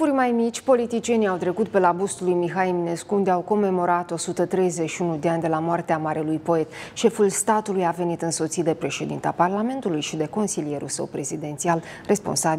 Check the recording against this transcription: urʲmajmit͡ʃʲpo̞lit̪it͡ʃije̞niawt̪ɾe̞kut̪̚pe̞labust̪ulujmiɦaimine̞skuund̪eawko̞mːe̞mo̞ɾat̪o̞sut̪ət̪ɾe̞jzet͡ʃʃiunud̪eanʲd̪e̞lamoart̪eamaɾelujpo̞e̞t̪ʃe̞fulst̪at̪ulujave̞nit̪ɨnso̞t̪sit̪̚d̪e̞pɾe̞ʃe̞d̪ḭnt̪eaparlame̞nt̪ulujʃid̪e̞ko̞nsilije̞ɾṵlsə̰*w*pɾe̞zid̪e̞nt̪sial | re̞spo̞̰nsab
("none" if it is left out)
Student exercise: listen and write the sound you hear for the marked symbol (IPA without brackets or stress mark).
w